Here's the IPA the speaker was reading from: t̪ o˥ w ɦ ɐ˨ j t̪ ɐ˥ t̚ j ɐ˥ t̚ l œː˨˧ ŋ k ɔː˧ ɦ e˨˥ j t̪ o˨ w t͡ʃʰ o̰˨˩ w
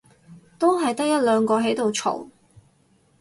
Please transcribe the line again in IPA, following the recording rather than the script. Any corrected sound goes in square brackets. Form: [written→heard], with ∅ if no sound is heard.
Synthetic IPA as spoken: t̪ o˥ w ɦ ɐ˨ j t̪ ɐ˥ [t̚→k̚] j ɐ˥ t̚ l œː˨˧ ŋ k ɔː˧ ɦ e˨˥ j t̪ o˨ w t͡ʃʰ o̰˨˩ w